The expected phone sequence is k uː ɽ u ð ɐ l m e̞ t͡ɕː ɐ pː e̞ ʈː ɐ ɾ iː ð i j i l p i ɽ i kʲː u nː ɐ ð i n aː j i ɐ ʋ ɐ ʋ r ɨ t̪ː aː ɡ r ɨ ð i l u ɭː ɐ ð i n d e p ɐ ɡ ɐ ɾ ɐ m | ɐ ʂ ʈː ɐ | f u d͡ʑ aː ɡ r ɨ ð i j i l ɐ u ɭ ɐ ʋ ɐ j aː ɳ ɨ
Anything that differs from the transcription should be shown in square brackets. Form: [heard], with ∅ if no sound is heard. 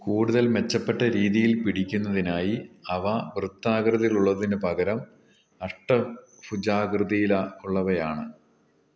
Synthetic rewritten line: k uː ɽ u ð ɐ l m e̞ t͡ɕː ɐ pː e̞ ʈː ɐ ɾ iː ð i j i l p i ɽ i kʲː u nː ɐ ð i n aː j i ɐ ʋ ɐ ʋ r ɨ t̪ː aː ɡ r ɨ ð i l u ɭː ɐ ð i n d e p ɐ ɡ ɐ ɾ ɐ m | ɐ ʂ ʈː ɐ | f u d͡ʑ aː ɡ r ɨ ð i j i l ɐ u [ɭː] ɐ ʋ ɐ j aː ɳ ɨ